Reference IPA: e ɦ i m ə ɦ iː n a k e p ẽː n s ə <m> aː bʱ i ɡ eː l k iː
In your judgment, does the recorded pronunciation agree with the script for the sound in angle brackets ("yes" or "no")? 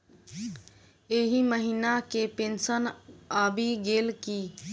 no